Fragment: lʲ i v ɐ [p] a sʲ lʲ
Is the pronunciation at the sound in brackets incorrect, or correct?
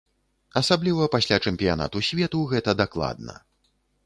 correct